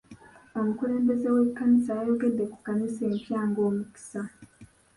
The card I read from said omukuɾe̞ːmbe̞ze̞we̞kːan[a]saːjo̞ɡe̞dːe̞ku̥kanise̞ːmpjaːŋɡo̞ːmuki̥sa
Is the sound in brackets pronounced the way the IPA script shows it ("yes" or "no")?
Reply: no